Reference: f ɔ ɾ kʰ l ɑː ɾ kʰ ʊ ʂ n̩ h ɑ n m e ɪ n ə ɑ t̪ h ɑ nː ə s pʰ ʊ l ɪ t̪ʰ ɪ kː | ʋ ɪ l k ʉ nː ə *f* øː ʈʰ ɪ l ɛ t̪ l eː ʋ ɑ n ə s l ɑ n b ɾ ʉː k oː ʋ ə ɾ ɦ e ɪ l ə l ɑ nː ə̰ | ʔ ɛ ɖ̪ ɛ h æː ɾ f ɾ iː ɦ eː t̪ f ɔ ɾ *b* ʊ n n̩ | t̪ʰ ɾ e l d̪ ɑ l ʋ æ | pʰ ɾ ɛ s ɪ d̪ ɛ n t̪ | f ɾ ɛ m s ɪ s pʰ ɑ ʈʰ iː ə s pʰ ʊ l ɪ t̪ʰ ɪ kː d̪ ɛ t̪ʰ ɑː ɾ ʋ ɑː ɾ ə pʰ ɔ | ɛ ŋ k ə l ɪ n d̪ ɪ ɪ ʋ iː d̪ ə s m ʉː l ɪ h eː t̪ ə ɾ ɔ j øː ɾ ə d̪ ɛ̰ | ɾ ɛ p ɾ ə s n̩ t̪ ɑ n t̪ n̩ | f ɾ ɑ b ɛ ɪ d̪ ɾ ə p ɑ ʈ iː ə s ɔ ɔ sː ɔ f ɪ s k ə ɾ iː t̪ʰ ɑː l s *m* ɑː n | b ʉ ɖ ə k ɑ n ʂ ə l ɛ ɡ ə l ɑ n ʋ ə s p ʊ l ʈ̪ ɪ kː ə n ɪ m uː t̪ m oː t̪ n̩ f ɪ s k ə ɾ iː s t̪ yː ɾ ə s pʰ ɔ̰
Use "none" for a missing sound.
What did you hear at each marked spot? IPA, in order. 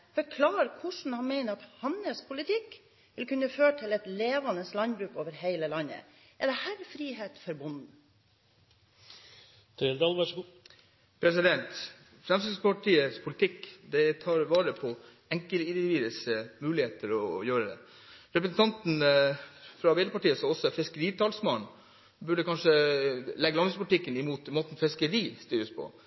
f, b, m

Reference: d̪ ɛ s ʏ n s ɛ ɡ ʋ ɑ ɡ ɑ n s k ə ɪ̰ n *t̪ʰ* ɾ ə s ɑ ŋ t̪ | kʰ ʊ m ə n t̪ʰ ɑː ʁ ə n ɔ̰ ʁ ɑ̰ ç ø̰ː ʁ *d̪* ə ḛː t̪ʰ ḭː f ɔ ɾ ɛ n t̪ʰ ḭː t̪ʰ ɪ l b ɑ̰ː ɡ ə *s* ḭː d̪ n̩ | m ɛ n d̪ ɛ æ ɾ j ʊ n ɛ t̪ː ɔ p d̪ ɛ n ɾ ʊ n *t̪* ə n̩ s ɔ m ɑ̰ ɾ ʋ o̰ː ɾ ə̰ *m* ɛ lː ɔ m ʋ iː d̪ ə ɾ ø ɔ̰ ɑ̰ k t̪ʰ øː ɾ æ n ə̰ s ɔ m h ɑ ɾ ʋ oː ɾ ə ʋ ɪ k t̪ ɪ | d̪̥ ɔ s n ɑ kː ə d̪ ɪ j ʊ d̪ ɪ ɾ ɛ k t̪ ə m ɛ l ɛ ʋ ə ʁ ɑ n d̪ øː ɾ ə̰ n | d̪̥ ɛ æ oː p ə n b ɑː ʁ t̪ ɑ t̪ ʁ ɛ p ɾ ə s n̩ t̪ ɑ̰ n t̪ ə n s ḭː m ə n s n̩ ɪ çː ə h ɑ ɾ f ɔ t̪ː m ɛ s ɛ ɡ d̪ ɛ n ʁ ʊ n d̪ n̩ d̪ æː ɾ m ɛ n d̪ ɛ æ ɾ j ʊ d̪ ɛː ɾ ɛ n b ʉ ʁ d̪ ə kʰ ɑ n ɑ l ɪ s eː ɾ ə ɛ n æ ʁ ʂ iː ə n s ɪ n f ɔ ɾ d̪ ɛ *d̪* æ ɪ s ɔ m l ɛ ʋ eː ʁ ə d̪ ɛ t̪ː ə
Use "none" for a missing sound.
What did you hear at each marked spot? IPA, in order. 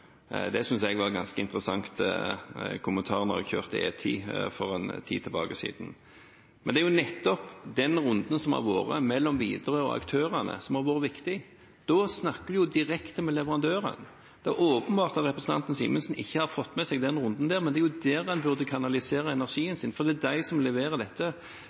t̪, t̪, s, d̪, m, d̪

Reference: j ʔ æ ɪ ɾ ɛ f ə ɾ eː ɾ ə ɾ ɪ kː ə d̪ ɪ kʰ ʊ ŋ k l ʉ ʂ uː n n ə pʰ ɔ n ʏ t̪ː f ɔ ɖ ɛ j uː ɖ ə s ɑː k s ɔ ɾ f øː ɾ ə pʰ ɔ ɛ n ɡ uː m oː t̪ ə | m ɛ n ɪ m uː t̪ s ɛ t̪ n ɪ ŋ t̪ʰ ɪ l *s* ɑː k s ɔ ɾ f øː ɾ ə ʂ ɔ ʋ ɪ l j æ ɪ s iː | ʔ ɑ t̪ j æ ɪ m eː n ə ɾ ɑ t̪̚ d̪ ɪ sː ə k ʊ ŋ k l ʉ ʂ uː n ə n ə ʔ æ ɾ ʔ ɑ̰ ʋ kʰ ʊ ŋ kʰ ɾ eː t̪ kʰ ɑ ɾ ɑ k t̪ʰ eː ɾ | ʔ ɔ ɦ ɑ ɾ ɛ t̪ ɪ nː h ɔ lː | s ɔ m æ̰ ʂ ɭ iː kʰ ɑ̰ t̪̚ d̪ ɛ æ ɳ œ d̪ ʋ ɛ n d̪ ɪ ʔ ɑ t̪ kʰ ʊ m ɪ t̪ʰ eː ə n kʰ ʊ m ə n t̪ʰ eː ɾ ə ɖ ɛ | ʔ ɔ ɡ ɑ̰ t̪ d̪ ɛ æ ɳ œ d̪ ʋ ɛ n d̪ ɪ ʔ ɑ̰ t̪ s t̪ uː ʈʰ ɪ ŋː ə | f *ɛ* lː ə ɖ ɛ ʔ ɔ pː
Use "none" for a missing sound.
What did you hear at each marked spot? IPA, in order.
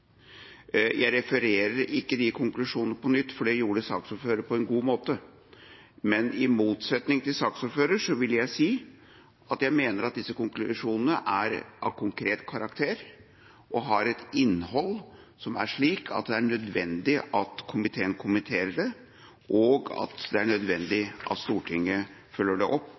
s, œ

